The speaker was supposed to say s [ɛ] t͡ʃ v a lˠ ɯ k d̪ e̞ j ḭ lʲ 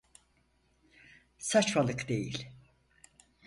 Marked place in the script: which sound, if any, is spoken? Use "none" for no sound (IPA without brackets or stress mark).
a